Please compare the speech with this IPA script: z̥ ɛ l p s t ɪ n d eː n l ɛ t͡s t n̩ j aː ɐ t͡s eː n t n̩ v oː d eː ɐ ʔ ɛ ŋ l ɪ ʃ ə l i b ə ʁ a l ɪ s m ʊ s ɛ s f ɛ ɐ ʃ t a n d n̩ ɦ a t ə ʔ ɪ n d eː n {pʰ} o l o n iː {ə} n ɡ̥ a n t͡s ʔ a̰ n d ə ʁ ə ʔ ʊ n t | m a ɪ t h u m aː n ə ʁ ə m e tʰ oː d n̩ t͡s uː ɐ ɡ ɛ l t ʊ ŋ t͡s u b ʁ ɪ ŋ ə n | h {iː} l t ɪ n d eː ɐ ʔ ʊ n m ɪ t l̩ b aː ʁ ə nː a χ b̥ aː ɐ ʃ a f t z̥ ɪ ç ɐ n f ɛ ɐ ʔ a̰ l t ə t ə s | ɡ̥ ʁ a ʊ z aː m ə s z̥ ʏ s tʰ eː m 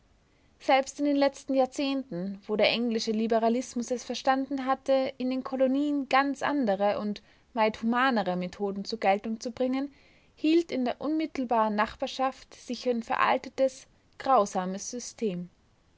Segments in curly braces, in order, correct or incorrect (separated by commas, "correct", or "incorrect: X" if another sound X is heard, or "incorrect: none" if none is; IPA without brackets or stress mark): incorrect: kʰ, correct, correct